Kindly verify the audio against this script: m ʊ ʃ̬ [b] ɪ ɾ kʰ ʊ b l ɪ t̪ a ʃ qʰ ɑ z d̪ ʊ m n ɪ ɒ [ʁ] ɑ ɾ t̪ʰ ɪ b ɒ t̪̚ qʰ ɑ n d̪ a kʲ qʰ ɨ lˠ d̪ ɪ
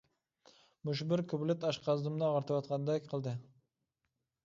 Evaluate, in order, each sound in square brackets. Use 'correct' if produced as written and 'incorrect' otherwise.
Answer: correct, correct

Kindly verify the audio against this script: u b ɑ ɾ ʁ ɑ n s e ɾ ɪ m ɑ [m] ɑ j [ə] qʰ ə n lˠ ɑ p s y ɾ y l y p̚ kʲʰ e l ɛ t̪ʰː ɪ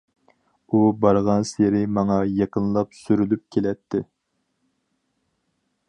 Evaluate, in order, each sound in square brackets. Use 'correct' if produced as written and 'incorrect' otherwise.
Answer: incorrect, incorrect

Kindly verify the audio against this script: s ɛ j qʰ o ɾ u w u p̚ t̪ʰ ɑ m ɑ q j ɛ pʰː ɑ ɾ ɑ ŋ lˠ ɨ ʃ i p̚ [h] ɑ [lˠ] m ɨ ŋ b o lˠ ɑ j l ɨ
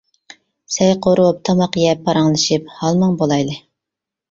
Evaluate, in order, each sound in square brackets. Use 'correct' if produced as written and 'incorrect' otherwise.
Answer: correct, correct

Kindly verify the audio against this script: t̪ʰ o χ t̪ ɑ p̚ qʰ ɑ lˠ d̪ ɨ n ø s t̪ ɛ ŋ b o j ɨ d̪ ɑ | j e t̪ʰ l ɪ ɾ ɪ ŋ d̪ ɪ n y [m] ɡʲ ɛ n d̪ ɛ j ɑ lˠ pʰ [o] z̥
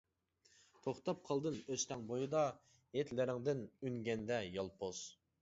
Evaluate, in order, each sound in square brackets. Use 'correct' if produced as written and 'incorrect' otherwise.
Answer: incorrect, correct

